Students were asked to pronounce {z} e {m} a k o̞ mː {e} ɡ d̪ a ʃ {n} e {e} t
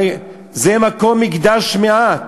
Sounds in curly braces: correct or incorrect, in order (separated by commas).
correct, correct, incorrect, incorrect, incorrect